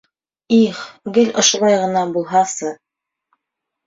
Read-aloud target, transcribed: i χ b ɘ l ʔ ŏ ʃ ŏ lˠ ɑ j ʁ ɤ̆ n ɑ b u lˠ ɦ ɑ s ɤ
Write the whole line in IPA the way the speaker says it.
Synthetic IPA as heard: i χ ɡ ɘ l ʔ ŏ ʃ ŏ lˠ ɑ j ʁ ɤ̆ n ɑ b u lˠ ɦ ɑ s ɤ